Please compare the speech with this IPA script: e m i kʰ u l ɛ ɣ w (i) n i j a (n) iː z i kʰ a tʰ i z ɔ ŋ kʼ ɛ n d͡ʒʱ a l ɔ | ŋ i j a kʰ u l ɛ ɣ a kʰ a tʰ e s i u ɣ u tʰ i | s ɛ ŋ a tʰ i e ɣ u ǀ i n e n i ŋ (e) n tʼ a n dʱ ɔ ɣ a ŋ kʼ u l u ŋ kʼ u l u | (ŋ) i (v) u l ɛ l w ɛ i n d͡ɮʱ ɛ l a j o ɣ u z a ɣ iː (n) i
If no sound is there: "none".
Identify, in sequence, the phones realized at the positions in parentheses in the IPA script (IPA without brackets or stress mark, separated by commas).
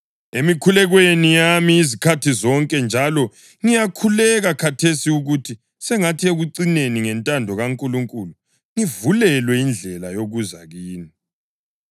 e, m, ɛ, ŋ, v, n